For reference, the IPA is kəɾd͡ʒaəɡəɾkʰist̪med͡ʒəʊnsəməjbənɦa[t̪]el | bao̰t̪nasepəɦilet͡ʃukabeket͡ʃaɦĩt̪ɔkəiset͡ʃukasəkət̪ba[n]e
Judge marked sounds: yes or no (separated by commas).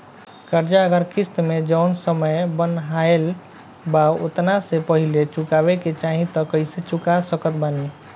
no, yes